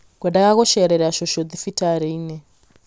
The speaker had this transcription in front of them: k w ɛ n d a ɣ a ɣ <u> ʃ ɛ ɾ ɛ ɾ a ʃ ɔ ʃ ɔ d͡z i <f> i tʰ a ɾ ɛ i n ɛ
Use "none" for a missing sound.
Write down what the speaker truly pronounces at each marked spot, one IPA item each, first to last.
ɔ, f

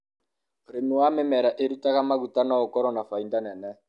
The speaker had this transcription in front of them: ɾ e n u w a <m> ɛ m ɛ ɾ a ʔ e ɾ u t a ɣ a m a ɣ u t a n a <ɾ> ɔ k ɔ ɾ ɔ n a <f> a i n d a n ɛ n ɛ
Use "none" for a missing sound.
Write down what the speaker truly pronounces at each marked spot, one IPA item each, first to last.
m, none, f

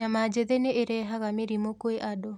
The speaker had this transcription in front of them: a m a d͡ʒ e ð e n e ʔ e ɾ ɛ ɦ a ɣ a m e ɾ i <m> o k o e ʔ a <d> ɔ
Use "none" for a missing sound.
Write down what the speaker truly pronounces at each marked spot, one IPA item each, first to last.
m, d

